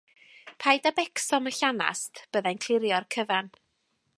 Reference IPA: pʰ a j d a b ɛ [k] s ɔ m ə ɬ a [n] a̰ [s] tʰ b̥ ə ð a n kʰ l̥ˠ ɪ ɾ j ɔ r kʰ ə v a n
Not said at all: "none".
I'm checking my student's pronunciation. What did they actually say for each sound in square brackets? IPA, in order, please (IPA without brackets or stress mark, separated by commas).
k, n, s